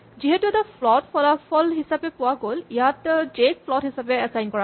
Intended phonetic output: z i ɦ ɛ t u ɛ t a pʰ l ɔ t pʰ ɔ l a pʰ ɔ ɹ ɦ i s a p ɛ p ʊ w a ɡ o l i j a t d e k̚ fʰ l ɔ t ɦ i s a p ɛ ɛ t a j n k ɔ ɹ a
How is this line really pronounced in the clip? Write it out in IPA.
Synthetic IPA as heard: z i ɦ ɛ t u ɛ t a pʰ l ɔ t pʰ ɔ l a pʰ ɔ l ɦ i s a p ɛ p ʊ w a ɡ o l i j a t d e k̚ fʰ l ɔ t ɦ i s a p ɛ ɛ s a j n k ɔ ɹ a